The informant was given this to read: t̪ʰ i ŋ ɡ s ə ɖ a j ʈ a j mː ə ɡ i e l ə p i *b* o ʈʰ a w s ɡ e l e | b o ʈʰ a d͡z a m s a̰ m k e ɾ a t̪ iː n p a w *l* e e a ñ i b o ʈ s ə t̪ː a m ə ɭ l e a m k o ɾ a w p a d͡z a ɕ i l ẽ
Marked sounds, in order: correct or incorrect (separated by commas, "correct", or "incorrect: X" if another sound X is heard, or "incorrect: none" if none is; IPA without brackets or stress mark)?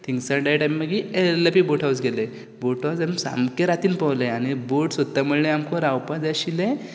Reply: correct, correct